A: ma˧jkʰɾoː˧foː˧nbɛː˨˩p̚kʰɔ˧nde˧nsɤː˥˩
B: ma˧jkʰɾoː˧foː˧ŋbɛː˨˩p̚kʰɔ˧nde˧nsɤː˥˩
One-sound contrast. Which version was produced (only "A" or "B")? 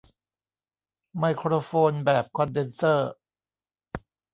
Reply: A